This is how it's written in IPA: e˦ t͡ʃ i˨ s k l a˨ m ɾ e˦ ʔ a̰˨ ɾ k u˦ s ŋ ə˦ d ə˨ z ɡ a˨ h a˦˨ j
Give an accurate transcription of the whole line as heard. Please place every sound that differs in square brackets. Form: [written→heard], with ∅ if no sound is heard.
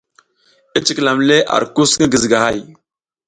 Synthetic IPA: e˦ t͡ʃ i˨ [s→∅] k l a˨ m [ɾ→l] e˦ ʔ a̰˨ ɾ k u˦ s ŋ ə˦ [d→ɡ] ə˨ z ɡ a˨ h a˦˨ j

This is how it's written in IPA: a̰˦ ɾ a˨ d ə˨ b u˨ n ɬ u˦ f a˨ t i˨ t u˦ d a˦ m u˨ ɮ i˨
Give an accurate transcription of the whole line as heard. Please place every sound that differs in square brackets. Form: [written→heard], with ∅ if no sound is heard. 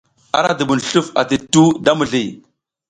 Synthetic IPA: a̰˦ ɾ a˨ d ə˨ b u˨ n ɬ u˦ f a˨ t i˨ t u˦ d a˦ m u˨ ɮ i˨

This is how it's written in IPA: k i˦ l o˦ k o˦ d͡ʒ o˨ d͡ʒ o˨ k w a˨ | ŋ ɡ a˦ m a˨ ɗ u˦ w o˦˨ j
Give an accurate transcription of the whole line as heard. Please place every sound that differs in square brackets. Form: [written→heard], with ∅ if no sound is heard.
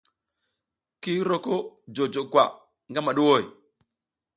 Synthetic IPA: k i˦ [l→ɾ] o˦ k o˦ d͡ʒ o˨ d͡ʒ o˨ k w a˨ | ŋ ɡ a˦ m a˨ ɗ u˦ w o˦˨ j

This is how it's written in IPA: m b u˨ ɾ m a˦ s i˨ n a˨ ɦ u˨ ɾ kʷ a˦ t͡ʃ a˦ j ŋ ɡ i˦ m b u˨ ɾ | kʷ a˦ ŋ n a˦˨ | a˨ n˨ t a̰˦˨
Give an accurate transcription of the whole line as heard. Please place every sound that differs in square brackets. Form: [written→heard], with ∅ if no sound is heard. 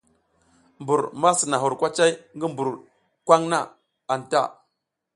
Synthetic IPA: m b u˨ ɾ m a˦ s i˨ n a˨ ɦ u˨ ɾ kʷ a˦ t͡ʃ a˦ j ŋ ɡ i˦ m b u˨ ɾ | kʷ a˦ ŋ n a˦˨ | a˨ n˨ t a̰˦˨

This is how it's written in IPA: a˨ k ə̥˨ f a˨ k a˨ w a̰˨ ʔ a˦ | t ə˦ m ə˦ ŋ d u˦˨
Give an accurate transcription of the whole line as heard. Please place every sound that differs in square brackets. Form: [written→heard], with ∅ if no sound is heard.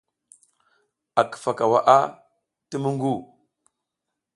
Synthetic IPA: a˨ k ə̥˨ f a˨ k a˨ w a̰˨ ʔ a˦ | t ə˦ m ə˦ ŋ [d→ɡ] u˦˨

